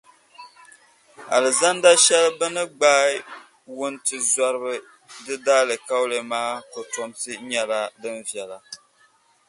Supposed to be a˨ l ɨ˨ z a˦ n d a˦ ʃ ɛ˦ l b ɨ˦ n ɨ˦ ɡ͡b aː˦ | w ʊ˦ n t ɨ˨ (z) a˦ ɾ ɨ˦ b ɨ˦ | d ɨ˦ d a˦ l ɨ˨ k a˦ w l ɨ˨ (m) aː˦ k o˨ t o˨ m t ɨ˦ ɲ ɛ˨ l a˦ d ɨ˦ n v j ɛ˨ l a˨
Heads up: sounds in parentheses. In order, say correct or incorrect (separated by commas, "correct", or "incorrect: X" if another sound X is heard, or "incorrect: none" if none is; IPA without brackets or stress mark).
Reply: correct, correct